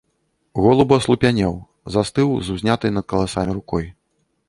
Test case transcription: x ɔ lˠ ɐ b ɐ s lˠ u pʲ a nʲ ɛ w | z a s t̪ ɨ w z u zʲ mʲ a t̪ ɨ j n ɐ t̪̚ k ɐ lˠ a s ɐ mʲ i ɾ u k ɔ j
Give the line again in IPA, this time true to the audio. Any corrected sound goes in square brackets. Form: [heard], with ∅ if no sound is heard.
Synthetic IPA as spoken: [ɣ] ɔ lˠ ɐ b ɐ s lˠ u pʲ a nʲ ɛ w | z a s t̪ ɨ w z u zʲ [nʲ] a t̪ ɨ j n ɐ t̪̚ k ɐ lˠ a s [a] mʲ i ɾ u k ɔ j